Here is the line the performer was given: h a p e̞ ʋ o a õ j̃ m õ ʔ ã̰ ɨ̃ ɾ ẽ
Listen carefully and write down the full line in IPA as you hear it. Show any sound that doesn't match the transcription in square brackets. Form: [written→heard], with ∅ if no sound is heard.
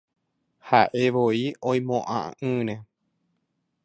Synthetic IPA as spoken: h a [p→ʔ] e̞ ʋ o [a→i] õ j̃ m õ ʔ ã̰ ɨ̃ ɾ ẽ